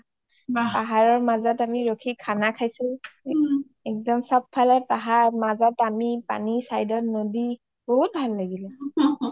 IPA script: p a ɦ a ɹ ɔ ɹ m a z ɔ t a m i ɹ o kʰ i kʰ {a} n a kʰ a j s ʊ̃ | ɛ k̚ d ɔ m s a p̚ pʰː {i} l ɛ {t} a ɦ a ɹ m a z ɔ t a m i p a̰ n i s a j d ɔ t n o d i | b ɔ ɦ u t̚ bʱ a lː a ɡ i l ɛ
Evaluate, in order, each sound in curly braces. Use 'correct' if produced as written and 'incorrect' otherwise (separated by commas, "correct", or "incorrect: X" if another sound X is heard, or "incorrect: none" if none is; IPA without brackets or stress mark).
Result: correct, incorrect: a, incorrect: p